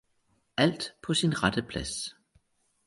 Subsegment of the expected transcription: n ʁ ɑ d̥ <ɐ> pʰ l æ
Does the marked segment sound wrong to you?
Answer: yes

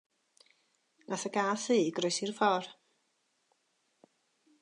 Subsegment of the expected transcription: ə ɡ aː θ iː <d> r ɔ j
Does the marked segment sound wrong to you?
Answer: yes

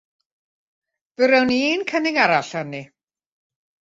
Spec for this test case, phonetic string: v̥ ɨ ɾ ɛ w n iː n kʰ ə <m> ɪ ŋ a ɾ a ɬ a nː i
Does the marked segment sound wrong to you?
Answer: yes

